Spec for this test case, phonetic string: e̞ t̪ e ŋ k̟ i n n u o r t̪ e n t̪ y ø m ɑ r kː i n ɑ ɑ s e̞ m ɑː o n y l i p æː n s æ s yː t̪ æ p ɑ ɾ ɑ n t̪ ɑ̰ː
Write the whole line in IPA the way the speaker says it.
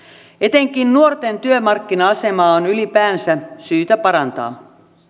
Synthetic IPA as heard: e̞ t̪ e ŋ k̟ i n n u o r t̪ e n t̪ y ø m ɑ r kː i n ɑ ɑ s e̞ m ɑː o n y l i p æː n s æ s yː t̪ æ p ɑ ɾ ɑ n t̪ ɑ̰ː